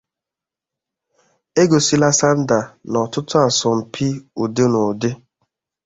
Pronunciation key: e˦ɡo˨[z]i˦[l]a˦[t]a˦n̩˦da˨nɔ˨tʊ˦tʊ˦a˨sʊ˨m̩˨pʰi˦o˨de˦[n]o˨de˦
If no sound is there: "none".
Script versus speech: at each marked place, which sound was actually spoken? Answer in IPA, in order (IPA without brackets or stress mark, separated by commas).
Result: s, l, s, n